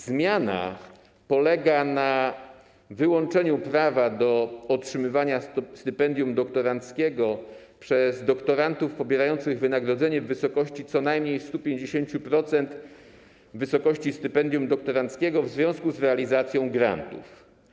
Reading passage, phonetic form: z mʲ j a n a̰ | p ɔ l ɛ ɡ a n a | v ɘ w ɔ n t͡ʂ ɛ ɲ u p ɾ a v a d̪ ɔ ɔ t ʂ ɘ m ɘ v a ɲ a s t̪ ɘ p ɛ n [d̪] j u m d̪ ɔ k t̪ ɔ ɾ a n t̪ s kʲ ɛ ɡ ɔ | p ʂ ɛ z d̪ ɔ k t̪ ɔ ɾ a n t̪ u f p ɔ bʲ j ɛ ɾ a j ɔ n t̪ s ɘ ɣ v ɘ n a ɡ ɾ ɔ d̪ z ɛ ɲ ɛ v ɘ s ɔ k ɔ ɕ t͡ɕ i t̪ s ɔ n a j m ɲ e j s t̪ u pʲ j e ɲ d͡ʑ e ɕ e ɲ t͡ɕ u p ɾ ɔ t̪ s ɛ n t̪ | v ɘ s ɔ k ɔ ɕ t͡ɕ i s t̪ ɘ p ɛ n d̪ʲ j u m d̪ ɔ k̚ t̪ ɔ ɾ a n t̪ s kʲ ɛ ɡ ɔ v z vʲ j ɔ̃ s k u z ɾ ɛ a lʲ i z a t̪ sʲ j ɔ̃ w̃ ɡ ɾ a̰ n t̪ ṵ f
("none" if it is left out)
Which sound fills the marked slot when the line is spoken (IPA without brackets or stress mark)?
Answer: d̪